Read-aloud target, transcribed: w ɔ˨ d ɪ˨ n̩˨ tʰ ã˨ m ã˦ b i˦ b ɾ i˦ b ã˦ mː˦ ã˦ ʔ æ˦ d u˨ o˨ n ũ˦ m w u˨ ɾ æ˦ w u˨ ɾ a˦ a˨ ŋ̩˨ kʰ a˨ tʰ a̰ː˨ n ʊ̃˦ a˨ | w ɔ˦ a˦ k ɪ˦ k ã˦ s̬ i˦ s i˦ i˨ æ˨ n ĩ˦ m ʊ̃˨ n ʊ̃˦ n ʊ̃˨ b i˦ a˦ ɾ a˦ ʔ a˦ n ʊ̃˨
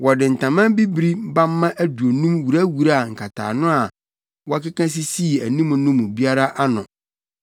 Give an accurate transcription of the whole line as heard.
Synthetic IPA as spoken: w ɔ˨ d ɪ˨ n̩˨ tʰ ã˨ m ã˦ b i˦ b ɾ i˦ b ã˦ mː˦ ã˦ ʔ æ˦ d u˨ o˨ n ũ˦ m w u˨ ɾ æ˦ w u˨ ɾ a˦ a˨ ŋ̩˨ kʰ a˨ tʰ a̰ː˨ n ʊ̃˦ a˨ | w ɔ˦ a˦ k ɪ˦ k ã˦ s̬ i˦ s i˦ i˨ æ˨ n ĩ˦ m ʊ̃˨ n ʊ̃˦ m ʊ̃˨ b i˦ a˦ ɾ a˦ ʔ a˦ n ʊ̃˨

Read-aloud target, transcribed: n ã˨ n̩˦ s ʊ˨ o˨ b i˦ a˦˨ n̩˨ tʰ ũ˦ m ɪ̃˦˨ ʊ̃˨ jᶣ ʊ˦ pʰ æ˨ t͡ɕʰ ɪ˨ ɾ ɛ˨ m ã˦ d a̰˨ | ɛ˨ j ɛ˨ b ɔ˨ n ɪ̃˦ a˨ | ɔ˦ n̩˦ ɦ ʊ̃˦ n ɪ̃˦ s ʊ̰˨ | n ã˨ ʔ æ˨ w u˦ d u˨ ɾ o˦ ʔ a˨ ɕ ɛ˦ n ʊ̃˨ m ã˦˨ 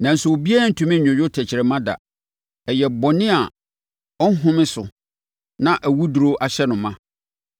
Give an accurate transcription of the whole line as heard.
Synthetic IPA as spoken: n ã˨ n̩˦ s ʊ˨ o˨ b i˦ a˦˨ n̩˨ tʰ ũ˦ m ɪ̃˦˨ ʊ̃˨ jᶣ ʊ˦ tʰ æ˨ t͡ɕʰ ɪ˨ ɾ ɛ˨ m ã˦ d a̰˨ | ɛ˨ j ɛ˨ b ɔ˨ n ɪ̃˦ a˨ | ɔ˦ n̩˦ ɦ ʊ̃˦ m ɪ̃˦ s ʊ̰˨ | n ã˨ ʔ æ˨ w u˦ d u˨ ɾ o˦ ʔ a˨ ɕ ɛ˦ n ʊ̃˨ m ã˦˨

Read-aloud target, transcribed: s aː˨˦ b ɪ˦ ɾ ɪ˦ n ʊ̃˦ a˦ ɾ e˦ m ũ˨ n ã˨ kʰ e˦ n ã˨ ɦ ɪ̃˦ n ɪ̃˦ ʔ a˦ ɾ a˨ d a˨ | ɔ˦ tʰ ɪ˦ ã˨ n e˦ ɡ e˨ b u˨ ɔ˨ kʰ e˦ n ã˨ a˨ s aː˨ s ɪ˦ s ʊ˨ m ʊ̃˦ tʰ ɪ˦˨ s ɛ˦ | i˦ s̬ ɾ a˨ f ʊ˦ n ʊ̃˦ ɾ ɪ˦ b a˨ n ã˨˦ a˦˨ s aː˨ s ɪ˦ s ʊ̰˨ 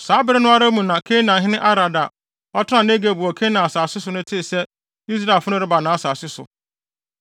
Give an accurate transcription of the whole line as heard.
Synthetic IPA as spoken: s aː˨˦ b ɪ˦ ɾ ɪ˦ n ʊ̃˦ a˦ ɾ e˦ m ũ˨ n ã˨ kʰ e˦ n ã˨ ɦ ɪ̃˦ n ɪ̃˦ ʔ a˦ ɾ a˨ d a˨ | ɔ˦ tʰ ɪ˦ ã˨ n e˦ ɡ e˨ b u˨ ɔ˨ kʰ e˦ n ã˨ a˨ s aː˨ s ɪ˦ s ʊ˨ n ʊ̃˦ tʰ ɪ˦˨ s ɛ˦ | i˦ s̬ ɾ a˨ f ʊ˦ n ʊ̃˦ ɾ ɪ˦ b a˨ n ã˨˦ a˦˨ s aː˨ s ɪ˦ s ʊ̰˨

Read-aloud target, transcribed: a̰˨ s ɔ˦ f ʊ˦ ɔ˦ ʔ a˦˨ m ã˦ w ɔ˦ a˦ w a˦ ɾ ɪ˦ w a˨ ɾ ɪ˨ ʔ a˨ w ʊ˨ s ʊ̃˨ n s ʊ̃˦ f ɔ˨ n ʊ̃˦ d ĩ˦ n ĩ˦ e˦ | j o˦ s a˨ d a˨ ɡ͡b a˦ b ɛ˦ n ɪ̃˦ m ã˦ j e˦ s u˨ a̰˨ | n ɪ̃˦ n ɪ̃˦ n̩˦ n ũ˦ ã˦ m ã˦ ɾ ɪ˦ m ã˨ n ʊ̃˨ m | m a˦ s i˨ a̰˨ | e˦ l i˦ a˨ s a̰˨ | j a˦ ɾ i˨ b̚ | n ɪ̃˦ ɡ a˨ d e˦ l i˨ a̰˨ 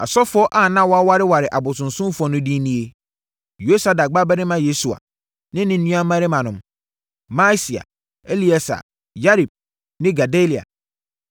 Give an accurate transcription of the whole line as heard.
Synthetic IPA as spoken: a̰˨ s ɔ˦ f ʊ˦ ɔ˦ ʔ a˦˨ n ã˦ w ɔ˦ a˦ w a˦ ɾ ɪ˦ w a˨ ɾ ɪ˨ ʔ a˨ b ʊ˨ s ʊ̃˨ n s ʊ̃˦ f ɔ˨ n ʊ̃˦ d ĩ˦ n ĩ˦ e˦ | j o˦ s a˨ d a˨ ɡ͡b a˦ b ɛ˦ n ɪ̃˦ m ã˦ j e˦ s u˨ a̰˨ | n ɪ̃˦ n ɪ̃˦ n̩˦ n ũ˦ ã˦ m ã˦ ɾ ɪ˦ m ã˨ n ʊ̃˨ m | m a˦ s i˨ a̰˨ | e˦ l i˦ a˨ s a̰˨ | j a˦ ɾ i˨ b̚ | n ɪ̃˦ ɡ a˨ d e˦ l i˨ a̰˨

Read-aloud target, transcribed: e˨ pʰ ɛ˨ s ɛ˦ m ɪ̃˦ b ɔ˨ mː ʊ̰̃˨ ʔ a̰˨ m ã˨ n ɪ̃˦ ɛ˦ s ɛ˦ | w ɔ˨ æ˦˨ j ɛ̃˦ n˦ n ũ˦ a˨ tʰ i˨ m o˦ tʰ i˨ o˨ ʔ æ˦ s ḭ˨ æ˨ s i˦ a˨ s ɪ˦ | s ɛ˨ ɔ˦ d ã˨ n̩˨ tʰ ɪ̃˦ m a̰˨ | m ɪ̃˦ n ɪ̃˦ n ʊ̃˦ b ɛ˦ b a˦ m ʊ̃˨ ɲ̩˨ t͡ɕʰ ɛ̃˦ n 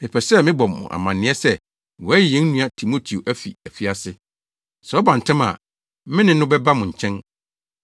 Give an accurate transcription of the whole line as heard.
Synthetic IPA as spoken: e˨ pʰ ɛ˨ s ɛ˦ m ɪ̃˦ b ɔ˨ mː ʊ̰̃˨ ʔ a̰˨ m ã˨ n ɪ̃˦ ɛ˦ s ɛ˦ | w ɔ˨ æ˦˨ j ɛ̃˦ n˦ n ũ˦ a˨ tʰ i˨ m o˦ tʰ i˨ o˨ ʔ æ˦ f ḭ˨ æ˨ f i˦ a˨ s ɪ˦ | s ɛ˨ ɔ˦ b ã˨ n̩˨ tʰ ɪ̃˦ m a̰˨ | m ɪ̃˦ n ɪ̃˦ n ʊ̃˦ b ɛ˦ b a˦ m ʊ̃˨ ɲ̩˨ t͡ɕʰ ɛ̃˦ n

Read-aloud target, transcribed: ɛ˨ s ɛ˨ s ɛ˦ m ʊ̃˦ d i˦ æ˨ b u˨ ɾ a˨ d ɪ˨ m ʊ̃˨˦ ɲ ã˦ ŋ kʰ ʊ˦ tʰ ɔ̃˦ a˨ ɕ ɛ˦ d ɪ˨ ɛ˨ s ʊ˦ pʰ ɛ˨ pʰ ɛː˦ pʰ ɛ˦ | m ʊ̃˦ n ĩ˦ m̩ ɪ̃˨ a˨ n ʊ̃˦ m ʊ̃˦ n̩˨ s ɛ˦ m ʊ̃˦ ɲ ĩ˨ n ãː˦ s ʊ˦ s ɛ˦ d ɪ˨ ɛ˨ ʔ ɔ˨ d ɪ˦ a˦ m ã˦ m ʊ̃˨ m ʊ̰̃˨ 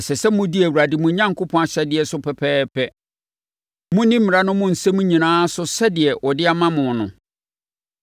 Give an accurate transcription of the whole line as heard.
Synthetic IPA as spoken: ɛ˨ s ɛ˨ s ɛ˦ m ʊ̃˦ d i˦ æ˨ w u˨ ɾ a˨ d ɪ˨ m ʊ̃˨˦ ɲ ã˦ ŋ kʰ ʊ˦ pʰ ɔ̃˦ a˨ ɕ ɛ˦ d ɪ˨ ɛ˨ s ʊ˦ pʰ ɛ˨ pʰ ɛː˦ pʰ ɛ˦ | m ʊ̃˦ n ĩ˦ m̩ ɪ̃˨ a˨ n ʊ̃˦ m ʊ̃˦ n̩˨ s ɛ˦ m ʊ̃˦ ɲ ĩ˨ n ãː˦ s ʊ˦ s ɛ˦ d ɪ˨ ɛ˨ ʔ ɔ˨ d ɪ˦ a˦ m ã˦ m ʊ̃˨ n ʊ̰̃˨

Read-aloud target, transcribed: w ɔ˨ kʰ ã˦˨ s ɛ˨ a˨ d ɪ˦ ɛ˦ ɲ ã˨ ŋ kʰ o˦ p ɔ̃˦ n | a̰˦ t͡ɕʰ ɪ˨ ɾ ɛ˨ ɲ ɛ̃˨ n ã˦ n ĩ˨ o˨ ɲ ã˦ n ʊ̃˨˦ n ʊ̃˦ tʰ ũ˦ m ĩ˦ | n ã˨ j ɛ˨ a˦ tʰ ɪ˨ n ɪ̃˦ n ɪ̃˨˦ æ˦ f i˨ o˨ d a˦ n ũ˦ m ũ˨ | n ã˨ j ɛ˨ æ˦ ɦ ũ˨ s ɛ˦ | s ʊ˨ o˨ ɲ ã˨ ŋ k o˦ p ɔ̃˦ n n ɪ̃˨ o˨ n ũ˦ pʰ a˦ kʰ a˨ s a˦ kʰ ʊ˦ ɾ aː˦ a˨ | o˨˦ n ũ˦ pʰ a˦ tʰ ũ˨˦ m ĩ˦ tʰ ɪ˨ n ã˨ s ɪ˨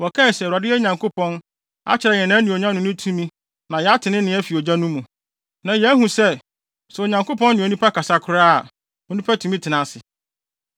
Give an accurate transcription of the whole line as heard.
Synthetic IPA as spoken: w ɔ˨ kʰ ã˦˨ s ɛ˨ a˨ d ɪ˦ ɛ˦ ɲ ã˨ ŋ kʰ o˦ p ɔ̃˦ n | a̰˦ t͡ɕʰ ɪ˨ ɾ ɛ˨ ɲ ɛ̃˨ n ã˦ n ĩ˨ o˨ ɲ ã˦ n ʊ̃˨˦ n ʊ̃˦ tʰ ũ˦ m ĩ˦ | n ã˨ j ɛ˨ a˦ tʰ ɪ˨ n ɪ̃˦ n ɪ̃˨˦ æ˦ f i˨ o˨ d͡ʑ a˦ n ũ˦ m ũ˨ | n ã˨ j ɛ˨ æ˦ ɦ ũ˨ s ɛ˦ | s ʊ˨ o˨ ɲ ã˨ ŋ k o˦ p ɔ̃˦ n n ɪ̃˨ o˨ n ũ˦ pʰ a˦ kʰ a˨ s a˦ kʰ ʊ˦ ɾ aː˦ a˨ | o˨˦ n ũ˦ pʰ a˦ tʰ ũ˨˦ m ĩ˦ tʰ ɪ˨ n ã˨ s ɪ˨

